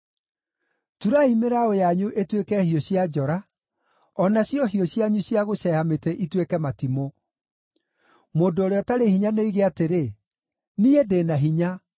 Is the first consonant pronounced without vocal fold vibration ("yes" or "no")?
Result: yes